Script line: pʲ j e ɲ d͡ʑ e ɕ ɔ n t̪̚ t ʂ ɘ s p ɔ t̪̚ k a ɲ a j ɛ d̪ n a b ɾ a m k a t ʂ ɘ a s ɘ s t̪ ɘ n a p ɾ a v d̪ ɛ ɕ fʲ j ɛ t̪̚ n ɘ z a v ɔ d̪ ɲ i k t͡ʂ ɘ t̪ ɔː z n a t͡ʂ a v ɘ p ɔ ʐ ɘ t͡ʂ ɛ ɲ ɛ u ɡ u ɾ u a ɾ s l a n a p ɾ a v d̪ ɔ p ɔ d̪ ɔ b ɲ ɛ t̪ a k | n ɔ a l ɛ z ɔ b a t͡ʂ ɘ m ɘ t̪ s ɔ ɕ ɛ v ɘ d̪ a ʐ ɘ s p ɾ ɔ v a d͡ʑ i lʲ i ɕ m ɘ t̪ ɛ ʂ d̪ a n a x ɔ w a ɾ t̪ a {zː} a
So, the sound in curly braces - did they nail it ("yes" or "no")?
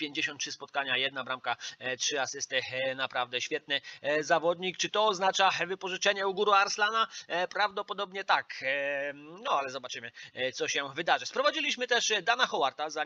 no